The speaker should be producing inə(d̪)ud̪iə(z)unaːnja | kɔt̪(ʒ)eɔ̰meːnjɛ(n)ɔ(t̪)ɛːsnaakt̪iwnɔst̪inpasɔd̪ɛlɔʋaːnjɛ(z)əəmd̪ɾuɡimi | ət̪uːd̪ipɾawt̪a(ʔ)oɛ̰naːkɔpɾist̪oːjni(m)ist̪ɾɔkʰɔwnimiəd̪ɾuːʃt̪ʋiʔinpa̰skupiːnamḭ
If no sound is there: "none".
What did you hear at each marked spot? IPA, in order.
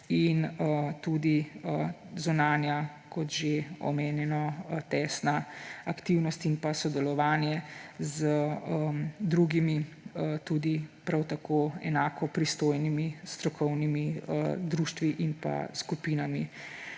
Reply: t̪, z, ʒ, n, t̪, z, k, m

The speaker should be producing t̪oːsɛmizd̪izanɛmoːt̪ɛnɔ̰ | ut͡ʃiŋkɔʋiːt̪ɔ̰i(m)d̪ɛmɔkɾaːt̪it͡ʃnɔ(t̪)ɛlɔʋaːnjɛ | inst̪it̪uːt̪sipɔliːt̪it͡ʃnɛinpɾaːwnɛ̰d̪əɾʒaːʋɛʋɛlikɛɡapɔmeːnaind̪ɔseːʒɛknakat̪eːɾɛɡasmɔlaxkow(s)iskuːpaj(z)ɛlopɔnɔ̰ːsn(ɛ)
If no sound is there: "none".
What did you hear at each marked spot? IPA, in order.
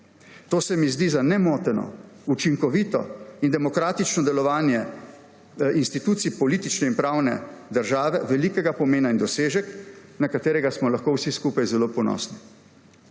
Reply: n, d̪, s, z, i

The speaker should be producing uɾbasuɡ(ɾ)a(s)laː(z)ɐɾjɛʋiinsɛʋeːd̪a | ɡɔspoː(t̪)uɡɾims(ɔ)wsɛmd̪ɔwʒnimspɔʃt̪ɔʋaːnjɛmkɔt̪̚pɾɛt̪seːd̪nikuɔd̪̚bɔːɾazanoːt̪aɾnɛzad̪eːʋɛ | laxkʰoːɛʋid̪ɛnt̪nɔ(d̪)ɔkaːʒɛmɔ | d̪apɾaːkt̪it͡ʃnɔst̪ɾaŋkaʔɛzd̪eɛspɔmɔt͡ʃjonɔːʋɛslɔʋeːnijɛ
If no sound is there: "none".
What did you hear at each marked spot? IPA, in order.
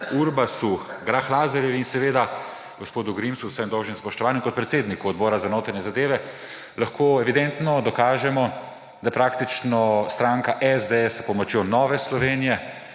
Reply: ɾ, x, z, d̪, u, d̪

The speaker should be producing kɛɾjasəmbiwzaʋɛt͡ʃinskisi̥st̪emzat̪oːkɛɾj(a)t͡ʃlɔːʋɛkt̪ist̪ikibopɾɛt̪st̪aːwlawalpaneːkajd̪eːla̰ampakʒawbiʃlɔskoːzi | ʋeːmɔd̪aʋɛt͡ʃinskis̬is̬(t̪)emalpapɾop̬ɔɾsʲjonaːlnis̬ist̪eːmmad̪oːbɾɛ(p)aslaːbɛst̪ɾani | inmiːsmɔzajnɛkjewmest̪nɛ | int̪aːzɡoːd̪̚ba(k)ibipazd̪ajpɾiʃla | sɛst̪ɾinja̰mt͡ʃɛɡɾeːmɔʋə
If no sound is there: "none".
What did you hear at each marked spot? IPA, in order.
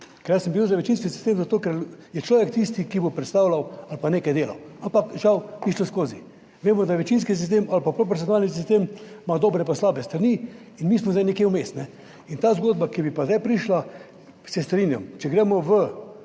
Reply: ɛ, t̪, p, k

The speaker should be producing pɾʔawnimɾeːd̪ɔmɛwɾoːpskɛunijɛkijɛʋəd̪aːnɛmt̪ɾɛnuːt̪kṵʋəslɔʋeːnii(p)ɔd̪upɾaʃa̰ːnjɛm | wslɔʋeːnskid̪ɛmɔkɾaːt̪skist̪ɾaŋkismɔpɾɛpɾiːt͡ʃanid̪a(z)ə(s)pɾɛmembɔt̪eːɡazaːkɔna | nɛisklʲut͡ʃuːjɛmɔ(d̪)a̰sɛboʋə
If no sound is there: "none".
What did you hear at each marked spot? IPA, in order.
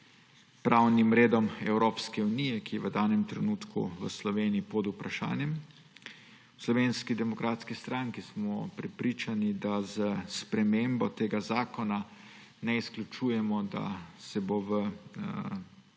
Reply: p, z, s, d̪

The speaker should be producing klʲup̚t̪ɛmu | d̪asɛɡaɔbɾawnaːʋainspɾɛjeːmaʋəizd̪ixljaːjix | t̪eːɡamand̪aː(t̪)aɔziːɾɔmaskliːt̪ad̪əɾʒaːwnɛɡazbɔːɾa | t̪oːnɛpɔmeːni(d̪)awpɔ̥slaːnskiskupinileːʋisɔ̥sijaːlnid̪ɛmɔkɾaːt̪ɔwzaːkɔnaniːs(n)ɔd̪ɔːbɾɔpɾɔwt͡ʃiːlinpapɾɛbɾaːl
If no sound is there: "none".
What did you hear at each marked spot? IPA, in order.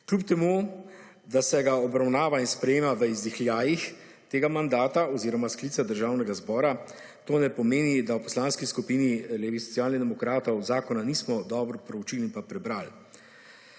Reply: t̪, d̪, m

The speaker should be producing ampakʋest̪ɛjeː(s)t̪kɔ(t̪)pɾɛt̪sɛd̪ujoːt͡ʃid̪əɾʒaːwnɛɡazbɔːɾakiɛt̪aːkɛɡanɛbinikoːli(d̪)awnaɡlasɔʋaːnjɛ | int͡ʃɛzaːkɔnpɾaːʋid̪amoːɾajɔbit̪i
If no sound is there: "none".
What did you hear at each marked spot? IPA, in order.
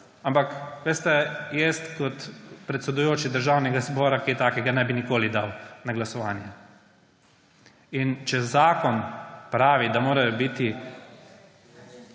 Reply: s, t̪, d̪

